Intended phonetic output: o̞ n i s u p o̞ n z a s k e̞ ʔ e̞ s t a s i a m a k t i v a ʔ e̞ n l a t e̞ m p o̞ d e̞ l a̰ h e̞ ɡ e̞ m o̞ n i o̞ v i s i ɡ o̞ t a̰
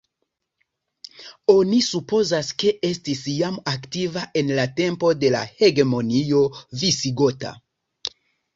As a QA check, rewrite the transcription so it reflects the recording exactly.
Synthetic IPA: o̞ n i s u p o̞ z a s k e̞ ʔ e̞ s t i s j a m a k t i v a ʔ e̞ n l a t e̞ m p o̞ d e̞ l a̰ h e̞ ɡ e̞ m o̞ n i o̞ v i s i ɡ o̞ t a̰